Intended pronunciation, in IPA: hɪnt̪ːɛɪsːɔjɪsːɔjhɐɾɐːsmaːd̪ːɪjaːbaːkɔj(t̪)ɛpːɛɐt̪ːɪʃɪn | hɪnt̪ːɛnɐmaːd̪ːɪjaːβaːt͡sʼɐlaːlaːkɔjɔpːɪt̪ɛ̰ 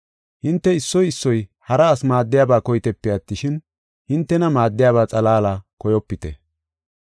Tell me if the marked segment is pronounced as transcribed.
yes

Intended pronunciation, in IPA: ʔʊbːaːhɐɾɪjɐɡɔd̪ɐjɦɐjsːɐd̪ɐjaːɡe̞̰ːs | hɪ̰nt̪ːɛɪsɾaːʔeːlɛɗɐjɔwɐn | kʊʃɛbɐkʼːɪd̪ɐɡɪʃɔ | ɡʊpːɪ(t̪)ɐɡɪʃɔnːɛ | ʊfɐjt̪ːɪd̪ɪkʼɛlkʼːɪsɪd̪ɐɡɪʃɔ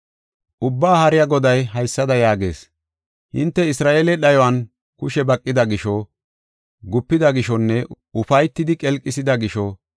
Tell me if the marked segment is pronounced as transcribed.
no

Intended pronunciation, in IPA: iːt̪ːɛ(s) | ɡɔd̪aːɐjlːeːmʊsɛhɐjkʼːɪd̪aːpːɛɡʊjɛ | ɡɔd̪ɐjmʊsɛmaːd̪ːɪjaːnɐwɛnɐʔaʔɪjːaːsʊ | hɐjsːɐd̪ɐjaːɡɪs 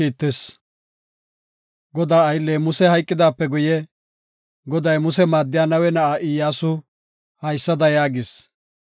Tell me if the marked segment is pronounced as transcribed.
yes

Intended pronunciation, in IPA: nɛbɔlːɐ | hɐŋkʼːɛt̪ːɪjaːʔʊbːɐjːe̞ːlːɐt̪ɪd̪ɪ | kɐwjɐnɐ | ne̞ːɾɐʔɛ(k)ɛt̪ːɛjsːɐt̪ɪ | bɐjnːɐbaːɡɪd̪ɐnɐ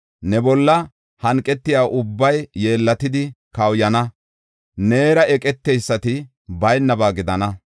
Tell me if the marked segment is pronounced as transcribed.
no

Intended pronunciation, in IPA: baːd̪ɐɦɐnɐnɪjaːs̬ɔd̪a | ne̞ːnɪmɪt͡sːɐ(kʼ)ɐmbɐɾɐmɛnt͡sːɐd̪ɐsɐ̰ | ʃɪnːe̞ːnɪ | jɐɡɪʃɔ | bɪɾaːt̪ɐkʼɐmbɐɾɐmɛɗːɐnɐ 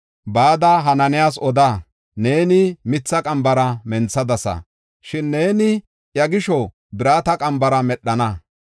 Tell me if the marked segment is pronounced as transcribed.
yes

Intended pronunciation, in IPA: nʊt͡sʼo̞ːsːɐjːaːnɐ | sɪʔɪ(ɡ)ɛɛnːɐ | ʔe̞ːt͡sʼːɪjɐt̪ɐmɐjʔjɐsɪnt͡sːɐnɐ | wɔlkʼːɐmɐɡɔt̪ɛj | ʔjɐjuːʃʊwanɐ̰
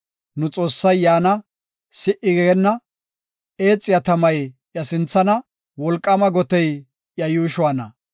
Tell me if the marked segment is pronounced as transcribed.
yes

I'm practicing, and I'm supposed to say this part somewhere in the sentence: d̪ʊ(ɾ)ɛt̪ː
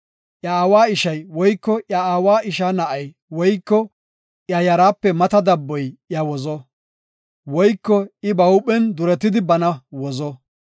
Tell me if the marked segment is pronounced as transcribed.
yes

